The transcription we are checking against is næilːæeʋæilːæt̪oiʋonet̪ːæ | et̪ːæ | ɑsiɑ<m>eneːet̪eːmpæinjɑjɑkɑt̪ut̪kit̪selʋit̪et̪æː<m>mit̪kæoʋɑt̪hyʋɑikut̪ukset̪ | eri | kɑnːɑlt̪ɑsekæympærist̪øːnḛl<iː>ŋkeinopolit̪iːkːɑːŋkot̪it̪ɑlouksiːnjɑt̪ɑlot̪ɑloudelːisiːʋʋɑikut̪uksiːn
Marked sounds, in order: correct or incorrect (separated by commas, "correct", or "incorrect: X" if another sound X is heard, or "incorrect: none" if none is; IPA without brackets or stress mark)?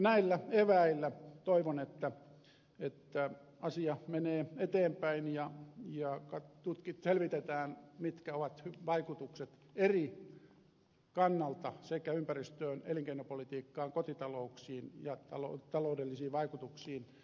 correct, incorrect: n, incorrect: i